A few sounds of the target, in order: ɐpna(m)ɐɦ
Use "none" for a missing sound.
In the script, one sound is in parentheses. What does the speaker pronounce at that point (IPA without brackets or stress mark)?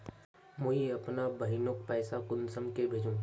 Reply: b